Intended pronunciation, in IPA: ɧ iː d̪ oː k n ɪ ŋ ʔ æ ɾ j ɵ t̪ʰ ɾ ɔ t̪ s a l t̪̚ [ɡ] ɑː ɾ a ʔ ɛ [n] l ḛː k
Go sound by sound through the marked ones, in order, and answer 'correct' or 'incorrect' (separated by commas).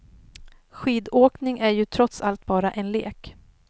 incorrect, correct